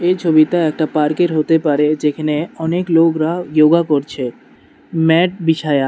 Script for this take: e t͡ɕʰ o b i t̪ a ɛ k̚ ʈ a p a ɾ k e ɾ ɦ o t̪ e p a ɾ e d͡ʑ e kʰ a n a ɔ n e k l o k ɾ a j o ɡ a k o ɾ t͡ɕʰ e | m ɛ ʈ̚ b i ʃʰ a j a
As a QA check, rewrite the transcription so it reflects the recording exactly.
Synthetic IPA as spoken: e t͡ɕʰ o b i t̪ a ɛ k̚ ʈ a p a ɾ k e ɾ ɦ o t̪ e p a ɾ e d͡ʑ e kʰ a n e ɔ n e k l o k ɾ a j o ɡ a k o ɾ t͡ɕʰ e | m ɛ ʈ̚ b i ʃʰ a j a

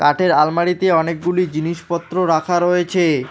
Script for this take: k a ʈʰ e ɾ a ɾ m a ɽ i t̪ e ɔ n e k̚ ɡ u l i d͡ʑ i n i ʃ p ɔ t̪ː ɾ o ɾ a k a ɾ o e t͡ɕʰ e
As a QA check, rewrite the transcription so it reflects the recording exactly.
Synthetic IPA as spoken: k a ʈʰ e ɾ a l m a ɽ i t̪ e ɔ n e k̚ ɡ u l i d͡ʑ i n i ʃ p ɔ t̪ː ɾ o ɾ a kʰ a ɾ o e t͡ɕʰ e

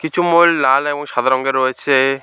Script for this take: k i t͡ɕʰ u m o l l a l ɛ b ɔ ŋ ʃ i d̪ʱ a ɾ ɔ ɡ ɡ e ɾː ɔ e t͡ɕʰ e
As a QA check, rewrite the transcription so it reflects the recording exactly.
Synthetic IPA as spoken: k i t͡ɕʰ u m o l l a l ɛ b ɔ ŋ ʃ a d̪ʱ a ɾ ɔ ŋ ɡ e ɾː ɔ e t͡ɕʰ e

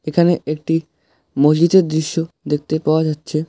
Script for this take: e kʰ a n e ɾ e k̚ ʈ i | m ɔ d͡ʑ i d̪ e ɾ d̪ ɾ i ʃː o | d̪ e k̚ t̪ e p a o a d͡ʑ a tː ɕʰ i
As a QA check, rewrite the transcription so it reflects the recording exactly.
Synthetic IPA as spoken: e kʰ a n e e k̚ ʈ i | m o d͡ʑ i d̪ e ɾ d̪ ɾ i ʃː o | d̪ e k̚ t̪ e p a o a d͡ʑ a tː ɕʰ e

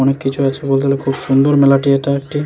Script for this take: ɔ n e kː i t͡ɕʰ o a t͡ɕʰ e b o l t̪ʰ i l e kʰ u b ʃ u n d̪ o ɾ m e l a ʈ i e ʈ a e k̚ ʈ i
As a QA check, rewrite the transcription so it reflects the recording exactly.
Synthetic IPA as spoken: ɔ n e kː i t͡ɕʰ u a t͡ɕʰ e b o l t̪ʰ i l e kʰ u b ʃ u n d̪ o ɾ m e l a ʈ i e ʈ a e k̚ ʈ i

